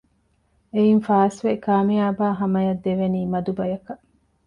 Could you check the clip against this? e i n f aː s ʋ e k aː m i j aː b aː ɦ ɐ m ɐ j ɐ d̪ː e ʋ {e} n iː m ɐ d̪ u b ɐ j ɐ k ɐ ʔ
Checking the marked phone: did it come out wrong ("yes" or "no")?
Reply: no